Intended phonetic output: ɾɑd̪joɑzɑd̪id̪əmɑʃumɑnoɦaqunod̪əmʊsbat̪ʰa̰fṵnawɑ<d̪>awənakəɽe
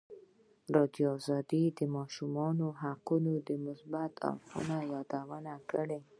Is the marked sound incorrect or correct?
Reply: correct